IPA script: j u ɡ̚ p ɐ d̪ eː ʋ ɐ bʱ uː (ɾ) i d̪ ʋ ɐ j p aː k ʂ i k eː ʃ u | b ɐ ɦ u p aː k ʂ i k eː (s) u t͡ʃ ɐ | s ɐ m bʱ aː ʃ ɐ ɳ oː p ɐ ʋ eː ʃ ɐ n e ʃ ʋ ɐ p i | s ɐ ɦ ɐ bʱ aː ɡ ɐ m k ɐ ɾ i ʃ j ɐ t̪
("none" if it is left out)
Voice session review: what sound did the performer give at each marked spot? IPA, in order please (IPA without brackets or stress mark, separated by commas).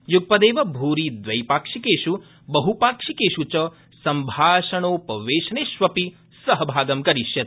ɾ, ʃ